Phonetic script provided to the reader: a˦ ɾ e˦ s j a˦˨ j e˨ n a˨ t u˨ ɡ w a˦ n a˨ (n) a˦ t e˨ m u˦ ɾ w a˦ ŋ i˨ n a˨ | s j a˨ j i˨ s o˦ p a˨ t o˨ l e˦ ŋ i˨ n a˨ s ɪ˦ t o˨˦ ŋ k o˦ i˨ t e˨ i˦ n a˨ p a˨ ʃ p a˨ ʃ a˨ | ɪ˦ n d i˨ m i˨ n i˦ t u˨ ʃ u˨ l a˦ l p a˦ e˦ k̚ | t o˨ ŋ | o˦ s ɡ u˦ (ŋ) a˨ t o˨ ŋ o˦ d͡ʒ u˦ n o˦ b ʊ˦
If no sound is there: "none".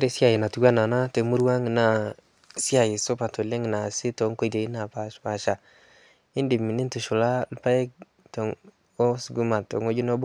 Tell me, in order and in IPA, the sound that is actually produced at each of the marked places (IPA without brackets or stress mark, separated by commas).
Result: n, m